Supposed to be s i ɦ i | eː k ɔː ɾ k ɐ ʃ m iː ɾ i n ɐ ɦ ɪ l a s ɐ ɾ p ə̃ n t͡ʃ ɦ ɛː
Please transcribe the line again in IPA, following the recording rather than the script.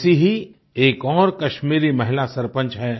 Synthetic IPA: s i ɦ i | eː k ɔː ɾ k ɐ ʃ m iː ɾ i m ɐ ɦ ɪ l a s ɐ ɾ p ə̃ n t͡ʃ ɦ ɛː